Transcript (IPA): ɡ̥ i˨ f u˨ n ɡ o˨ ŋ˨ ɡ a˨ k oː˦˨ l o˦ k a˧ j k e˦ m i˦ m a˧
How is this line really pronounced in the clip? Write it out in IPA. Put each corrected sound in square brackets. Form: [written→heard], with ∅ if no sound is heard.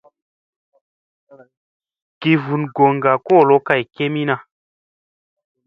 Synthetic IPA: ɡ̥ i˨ [f→v] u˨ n ɡ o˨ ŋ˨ ɡ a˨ k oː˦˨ l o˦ k a˧ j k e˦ m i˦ [m→n] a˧